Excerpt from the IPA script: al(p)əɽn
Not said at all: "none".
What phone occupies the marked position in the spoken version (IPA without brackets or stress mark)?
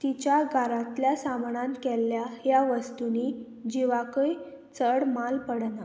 p